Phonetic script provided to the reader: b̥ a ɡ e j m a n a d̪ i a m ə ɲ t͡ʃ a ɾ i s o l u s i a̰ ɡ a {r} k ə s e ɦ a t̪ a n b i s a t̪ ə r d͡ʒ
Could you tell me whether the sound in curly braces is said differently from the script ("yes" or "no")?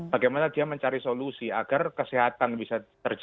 no